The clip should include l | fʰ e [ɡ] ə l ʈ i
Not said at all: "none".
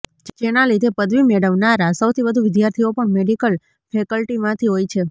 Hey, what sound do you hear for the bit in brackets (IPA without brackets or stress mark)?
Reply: k